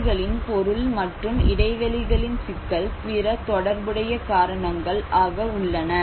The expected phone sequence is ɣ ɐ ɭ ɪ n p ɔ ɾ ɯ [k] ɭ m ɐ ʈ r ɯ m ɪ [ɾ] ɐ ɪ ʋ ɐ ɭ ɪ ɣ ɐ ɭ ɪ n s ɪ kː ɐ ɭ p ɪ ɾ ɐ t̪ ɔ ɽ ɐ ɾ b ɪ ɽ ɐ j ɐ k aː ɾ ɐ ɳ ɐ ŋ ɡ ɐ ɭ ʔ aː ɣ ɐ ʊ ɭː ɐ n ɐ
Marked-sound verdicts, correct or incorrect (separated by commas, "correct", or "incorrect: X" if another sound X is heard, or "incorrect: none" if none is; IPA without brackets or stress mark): incorrect: none, incorrect: ɽ